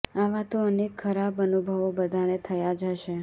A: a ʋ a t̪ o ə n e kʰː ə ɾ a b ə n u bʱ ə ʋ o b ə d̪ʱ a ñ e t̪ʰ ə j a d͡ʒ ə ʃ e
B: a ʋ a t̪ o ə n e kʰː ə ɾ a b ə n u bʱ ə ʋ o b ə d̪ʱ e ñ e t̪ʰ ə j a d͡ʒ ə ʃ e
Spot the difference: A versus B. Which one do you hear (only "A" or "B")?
A